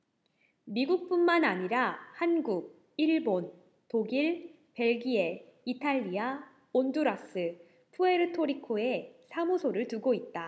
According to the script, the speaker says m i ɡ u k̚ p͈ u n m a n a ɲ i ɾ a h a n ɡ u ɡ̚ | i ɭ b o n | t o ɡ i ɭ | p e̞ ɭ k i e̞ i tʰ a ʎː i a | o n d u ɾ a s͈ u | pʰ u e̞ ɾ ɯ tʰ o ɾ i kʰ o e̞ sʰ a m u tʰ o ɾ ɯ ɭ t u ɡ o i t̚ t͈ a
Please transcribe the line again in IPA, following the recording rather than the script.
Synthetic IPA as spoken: m i ɡ u k̚ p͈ u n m a n a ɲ i ɾ a h a n ɡ u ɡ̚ | i ɭ b o n | t o ɡ i ɭ | p e̞ ɭ ɡ i e̞ i tʰ a ʎː i a | o n d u ɾ a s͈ ɯ | pʰ u e̞ ɾ ɯ tʰ o ɾ i kʰ o e̞ sʰ a m u sʰ o ɾ ɯ ɭ t u ɡ o i t̚ t͈ a